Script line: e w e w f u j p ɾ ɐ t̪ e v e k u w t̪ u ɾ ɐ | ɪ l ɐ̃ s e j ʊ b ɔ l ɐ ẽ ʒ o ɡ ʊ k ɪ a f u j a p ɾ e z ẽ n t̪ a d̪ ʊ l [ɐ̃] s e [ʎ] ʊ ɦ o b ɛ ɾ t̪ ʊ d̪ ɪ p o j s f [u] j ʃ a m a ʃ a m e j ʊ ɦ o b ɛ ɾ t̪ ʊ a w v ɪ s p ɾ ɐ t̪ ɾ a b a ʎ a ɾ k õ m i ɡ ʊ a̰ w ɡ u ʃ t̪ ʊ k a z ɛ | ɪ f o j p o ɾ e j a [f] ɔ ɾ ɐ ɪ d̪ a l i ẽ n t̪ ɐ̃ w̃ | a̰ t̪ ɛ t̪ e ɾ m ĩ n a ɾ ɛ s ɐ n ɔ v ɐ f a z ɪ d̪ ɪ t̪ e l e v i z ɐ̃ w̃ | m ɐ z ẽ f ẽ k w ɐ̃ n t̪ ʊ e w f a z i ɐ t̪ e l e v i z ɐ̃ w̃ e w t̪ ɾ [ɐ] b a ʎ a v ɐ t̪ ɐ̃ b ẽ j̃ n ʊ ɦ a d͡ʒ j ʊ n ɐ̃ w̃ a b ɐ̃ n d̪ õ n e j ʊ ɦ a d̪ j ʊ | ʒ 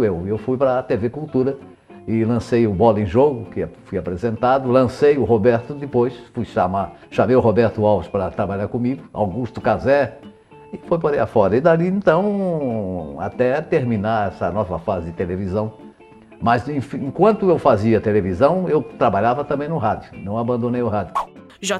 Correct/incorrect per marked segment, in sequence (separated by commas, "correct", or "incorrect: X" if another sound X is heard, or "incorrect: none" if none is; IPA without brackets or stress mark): correct, incorrect: j, correct, correct, incorrect: a